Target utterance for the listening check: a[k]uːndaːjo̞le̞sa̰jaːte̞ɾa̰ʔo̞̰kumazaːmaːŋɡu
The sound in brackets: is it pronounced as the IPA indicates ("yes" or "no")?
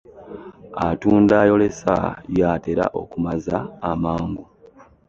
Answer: no